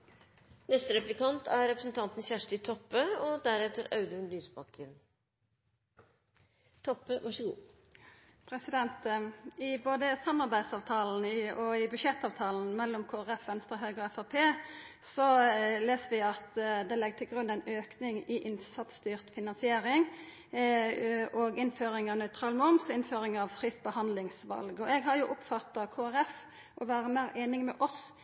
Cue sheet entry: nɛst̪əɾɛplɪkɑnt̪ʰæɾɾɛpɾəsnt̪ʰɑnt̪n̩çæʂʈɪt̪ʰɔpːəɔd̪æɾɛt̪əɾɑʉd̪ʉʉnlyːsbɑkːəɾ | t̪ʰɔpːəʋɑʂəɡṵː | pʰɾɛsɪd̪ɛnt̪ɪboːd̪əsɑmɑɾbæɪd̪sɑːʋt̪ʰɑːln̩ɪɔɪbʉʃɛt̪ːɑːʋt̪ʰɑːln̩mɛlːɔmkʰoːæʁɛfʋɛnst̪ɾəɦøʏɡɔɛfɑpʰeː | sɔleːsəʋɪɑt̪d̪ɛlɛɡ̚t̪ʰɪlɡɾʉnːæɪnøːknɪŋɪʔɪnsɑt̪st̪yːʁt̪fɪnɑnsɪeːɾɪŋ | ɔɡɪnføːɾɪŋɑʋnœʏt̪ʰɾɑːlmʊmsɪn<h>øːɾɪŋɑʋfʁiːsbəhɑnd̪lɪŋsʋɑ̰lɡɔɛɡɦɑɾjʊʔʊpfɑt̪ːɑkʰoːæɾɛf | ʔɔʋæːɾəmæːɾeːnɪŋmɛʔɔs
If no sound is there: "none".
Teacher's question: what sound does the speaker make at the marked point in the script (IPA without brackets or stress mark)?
f